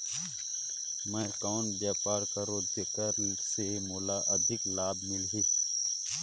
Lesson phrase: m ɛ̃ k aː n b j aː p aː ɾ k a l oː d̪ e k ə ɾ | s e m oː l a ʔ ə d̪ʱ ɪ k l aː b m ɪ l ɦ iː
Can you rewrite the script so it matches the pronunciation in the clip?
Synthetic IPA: m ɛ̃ k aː n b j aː p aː ɾ k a ɾ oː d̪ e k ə ɾ | s e m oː l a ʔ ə d̪ʱ ɪ k l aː b m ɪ l ɦ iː